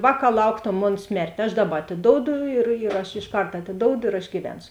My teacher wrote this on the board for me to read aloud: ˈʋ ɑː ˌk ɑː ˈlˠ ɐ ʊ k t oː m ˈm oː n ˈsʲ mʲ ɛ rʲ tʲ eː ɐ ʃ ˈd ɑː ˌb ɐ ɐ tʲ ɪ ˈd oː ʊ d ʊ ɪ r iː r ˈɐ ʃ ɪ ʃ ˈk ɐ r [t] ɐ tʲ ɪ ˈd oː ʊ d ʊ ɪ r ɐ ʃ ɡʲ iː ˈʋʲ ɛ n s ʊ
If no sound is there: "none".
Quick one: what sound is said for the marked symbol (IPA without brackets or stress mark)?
t